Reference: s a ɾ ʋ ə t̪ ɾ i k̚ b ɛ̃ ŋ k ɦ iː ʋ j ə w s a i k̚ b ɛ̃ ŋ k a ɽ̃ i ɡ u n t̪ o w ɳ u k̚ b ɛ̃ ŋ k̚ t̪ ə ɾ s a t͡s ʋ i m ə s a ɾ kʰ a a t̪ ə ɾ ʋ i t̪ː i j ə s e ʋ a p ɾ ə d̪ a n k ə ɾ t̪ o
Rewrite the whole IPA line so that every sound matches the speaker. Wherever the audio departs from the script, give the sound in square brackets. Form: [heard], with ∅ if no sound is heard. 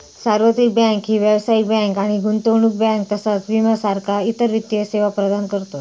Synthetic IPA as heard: s a ɾ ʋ ə t̪ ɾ i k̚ b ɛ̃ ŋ k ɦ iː ʋ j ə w s a i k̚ b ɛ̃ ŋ k a ɽ̃ i ɡ u n t̪ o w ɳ u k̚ b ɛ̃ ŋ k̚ t̪ ə [∅] s a t͡s ʋ i m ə s a ɾ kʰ a [i] t̪ ə ɾ ʋ i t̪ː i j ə s e ʋ a p ɾ ə d̪ a n k ə ɾ t̪ o